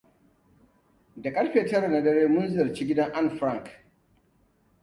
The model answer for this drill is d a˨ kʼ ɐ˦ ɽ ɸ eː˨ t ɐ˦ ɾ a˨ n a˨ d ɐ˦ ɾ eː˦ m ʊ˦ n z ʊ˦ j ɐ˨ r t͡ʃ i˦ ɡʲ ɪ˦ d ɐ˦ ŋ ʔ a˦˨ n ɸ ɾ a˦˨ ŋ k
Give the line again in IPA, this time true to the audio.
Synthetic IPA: d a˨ kʼ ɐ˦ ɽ ɸ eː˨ t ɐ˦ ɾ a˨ n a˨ d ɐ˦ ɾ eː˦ m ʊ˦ n z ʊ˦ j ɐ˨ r t͡ʃ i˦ ɡʲ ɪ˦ d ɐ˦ ŋ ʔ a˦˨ n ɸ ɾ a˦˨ ŋ k